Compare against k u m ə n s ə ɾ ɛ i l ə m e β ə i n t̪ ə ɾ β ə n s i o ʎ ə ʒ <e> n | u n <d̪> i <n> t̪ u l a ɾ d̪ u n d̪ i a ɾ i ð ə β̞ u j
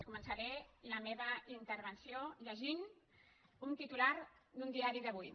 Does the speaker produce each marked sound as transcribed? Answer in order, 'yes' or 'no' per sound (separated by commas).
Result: no, no, no